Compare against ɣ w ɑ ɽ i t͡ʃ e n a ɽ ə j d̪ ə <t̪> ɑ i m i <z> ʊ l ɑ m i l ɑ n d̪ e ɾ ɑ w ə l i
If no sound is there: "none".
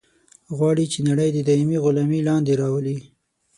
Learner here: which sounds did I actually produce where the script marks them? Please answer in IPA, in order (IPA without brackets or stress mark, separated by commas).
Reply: d̪, ɣ